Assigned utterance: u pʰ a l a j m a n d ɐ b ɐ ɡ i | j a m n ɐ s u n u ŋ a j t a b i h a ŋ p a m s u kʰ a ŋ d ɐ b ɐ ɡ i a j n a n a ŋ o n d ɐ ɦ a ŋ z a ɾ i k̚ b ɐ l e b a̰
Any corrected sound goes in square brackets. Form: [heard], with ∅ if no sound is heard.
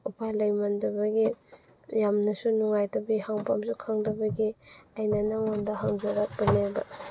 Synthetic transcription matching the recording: u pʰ a l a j m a n d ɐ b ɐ ɡ i | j a m n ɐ s u n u ŋ a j t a b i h a ŋ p a m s u kʰ a ŋ d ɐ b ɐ ɡ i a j n a n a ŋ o n d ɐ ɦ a ŋ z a ɾ [a] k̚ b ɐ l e b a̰